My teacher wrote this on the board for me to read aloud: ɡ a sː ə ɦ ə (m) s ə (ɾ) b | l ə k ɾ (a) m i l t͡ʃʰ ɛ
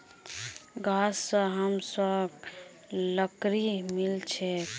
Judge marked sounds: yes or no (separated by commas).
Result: yes, no, no